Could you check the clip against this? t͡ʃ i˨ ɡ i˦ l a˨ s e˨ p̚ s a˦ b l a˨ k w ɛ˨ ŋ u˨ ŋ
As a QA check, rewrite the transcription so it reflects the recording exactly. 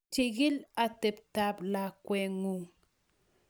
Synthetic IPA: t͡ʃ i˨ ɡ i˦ l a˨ t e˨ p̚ t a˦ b l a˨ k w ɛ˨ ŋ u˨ ŋ